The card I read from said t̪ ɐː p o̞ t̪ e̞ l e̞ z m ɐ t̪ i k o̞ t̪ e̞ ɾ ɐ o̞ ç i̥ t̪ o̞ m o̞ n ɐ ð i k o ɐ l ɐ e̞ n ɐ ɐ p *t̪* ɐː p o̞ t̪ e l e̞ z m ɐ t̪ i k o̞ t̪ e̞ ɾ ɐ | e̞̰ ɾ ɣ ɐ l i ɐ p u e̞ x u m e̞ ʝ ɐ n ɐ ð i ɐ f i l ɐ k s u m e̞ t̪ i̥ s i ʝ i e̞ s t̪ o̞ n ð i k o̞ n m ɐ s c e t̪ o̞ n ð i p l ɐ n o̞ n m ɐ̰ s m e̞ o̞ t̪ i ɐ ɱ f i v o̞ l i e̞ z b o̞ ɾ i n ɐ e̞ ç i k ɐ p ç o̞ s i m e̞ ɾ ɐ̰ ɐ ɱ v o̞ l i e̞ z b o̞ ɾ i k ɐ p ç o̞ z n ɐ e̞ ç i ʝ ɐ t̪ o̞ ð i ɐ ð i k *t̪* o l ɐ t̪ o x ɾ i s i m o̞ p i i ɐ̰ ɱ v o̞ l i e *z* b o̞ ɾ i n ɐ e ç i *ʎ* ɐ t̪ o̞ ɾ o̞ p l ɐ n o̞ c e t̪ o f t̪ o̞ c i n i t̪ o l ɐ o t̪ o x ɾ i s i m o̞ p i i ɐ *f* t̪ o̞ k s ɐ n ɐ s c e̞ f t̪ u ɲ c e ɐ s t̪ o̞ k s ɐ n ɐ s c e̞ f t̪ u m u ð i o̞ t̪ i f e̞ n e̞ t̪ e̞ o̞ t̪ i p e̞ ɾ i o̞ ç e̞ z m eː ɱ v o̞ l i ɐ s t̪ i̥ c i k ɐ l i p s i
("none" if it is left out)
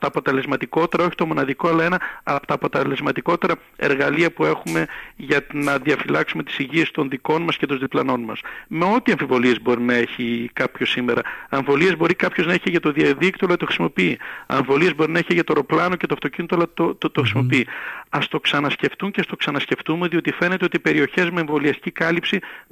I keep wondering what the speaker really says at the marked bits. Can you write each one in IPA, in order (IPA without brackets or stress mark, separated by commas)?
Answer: t̪, t̪, z, ʝ, s